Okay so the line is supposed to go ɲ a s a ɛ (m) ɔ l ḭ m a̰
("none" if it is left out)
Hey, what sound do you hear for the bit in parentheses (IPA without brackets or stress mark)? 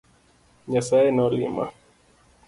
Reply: n